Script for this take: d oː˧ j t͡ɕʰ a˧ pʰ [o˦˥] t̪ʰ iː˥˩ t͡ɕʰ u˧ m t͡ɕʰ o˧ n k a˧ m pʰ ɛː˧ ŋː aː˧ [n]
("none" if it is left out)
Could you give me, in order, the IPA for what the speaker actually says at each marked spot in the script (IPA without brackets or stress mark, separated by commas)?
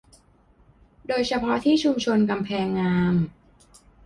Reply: ɔ˦˥, m